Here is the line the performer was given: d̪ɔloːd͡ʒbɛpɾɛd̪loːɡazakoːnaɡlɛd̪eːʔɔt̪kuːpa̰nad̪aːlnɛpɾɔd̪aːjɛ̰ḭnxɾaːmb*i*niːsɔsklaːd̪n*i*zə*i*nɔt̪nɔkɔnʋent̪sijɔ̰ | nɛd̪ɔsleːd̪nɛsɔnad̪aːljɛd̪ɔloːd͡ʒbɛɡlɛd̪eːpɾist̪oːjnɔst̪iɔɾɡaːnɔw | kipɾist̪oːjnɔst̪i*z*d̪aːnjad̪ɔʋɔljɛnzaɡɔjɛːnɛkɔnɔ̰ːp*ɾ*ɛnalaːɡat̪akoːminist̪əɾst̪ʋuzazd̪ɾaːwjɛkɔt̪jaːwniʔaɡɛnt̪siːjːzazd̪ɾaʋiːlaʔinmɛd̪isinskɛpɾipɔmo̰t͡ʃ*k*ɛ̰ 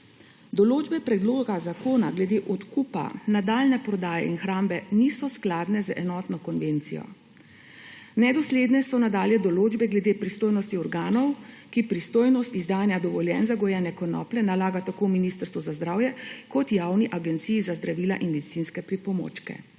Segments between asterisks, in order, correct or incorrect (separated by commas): incorrect, incorrect, incorrect, correct, incorrect, correct